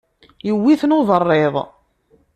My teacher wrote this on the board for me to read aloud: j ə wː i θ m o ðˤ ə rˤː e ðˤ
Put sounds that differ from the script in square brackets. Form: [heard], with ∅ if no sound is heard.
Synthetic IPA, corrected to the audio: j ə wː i θ [n] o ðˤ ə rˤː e ðˤ